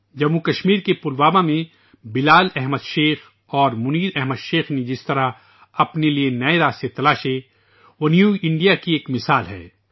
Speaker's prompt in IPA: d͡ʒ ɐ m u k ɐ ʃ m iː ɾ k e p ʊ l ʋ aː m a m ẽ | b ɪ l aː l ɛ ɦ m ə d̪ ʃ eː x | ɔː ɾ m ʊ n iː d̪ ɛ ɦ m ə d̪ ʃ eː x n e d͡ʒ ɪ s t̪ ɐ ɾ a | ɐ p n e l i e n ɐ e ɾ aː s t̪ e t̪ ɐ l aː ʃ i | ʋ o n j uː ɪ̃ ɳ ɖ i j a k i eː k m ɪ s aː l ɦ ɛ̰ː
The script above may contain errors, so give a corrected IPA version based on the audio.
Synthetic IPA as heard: d͡ʒ ɐ m u k ɐ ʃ m iː ɾ k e p ʊ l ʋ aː m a m ẽ | b ɪ l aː l ɛ ɦ m ə d̪ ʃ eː x | ɔː ɾ m ʊ n iː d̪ ɛ ɦ m ə d̪ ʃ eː x n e d͡ʒ ɪ s t̪ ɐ ɾ a | ɐ p n e l i e n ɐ e ɾ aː s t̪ e t̪ ɐ l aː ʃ e | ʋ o n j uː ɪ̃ ɳ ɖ i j a k i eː k m ɪ s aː l ɦ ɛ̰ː